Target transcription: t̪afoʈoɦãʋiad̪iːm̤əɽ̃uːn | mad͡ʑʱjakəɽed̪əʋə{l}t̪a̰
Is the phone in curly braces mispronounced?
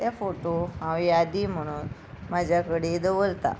no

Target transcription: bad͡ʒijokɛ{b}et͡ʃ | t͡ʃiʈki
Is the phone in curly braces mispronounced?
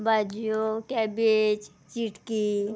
no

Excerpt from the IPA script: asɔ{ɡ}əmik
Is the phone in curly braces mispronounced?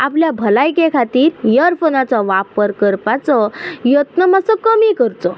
yes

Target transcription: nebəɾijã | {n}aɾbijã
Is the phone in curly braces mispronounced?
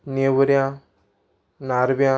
no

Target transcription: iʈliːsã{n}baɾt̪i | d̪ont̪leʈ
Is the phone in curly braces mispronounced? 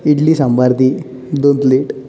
yes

